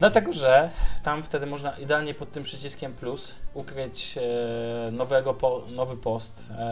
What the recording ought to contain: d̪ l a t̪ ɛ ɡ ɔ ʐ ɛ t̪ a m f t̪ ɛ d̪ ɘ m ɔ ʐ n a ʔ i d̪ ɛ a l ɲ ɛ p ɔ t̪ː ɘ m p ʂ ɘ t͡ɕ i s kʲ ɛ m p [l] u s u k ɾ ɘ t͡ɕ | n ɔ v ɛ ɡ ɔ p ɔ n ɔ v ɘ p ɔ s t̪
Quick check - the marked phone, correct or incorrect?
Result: correct